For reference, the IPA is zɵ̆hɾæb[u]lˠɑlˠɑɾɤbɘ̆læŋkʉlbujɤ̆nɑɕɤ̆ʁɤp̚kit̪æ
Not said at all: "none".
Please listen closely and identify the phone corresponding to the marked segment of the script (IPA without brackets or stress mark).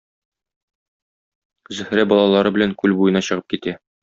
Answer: ɒ